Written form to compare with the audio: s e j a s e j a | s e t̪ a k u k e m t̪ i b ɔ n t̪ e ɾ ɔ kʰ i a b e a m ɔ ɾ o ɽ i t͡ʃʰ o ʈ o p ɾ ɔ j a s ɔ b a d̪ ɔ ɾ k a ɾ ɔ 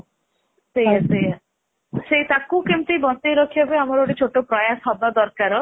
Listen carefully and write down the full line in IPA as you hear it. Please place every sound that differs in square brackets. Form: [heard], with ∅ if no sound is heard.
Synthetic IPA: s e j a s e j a | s e t̪ a k u k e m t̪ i b ɔ n t̪ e ɾ ɔ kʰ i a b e a m ɔ ɾ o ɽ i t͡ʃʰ o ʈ o p ɾ ɔ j a s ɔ b a d̪ ɔ ɾ k a ɾ ɔ

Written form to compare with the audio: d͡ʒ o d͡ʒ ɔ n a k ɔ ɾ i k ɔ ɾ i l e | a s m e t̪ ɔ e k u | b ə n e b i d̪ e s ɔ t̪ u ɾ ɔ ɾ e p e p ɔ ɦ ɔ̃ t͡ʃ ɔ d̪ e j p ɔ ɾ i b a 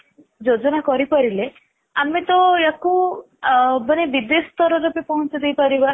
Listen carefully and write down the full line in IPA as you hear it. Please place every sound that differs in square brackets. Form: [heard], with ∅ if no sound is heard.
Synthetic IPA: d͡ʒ o d͡ʒ ɔ n a k ɔ ɾ i [p] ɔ ɾ i l e | a [∅] m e t̪ ɔ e k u | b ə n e b i d̪ e s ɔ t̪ [ɔ] ɾ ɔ ɾ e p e p ɔ ɦ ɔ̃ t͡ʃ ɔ d̪ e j p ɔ ɾ i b a

